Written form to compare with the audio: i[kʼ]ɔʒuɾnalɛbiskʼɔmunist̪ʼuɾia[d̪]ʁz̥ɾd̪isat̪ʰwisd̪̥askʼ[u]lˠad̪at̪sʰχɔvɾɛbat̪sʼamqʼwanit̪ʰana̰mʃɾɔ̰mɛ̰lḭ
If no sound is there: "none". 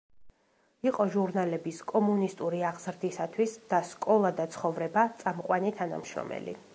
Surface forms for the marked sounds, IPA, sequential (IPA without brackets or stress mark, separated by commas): qʼ, none, ɔ